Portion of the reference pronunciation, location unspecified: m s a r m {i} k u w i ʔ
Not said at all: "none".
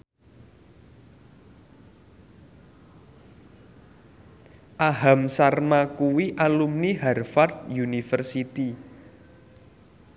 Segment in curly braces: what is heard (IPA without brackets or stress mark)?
a